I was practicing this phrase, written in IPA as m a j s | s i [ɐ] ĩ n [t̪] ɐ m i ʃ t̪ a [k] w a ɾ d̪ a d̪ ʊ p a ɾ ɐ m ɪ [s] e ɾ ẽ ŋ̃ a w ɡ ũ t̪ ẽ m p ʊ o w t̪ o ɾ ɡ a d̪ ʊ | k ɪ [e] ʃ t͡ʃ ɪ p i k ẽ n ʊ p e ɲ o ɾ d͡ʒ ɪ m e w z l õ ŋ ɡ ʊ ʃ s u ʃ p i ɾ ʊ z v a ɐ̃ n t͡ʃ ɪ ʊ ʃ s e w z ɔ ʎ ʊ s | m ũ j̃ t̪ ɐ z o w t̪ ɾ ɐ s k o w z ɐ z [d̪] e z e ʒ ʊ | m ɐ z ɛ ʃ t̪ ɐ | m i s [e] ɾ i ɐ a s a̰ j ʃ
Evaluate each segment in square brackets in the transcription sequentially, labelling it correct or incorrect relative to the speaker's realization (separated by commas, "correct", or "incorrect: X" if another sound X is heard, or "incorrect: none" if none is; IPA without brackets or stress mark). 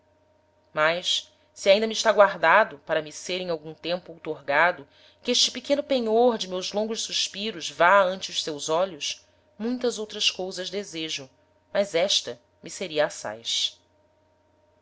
incorrect: a, incorrect: d̪, incorrect: ɡ, correct, correct, correct, correct